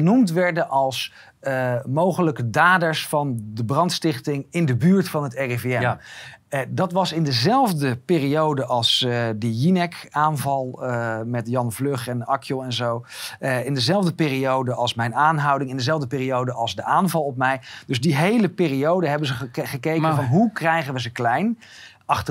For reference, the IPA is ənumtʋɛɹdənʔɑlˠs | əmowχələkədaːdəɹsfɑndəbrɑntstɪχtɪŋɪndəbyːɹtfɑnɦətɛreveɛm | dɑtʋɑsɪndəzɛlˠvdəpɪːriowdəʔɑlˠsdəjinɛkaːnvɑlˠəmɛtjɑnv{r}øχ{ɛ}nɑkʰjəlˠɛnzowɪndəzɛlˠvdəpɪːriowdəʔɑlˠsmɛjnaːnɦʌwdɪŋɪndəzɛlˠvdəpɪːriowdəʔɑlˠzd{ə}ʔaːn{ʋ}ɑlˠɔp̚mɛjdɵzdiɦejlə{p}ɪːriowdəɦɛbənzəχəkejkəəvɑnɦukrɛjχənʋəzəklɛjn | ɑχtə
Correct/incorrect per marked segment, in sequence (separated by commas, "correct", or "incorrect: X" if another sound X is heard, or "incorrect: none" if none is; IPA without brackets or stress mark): incorrect: l, correct, correct, incorrect: v, correct